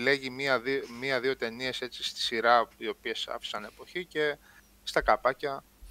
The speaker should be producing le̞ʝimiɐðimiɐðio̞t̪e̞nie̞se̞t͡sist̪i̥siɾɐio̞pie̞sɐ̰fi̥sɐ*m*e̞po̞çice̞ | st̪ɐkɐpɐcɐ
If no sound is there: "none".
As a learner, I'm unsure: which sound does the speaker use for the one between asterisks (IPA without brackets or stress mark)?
n